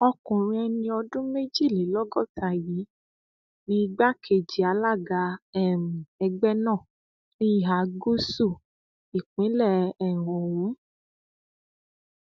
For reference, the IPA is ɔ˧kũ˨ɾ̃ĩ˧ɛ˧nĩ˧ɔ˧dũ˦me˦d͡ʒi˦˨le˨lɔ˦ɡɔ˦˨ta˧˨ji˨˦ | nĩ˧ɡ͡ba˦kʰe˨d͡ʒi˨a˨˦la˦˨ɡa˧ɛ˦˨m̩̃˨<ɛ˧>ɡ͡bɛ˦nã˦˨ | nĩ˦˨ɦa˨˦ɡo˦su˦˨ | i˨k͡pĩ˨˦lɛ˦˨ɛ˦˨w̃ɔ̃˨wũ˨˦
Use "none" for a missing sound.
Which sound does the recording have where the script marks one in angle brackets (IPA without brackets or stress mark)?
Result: ɛ˧